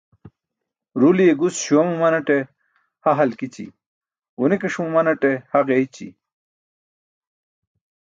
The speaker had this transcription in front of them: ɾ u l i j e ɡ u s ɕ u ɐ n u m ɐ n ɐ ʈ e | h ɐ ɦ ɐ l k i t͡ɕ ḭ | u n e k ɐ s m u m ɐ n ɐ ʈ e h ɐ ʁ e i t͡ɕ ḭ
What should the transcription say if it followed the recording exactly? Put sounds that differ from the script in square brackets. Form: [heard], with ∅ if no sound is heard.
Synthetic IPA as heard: ɾ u l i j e ɡ u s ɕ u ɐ [m] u m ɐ n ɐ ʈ e | h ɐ ɦ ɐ l k i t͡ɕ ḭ | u n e k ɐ [ʂ] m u m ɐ n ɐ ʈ e h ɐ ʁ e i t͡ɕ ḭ